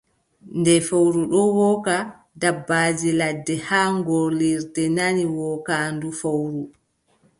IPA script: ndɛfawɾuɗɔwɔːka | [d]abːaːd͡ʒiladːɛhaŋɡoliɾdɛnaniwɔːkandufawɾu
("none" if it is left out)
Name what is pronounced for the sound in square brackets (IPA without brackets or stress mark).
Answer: d